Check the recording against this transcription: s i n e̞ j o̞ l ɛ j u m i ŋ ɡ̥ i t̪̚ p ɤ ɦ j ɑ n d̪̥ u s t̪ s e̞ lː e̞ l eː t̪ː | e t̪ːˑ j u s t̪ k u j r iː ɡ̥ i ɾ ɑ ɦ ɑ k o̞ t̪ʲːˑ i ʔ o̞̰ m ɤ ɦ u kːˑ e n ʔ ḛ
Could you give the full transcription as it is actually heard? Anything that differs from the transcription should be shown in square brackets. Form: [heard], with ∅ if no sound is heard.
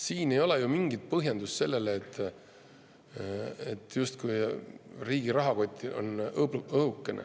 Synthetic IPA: s [iː] n e̞ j o̞ l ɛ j u m i ŋ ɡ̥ i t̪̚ p ɤ ɦ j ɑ n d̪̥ u s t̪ s e̞ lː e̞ l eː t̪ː | e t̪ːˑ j u s t̪ k u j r iː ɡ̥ i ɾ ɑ ɦ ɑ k o̞ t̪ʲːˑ i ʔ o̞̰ [n] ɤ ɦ u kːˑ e n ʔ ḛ